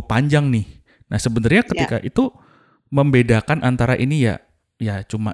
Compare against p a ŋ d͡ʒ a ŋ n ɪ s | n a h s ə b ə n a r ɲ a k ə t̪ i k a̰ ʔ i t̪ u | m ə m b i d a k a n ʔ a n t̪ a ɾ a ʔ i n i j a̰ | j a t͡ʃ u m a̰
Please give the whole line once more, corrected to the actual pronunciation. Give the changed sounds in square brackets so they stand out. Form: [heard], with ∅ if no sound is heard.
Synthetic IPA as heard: p a [ɲ] d͡ʒ a ŋ n ɪ [h] | n a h s ə b ə n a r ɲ a k ə t̪ i k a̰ ʔ i t̪ u | m ə m b [e] d a k a n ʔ a n t̪ a ɾ a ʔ i n i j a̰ | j a t͡ʃ u m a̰